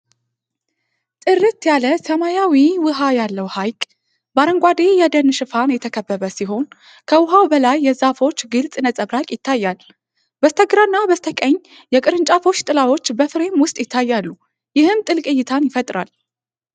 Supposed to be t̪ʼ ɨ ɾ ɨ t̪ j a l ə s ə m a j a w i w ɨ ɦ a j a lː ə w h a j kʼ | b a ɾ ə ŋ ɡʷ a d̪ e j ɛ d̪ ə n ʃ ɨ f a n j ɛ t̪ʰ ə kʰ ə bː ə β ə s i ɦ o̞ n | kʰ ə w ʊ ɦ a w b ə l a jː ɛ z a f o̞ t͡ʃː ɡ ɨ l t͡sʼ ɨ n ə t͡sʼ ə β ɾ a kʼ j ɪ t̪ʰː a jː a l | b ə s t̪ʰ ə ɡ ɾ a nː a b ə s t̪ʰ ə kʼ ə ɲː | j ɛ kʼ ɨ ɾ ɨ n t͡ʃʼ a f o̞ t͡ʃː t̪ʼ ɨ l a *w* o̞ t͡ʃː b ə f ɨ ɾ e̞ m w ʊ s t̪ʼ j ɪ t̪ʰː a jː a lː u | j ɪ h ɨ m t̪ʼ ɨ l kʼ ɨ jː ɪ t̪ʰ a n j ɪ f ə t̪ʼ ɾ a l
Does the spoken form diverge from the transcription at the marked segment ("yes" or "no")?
no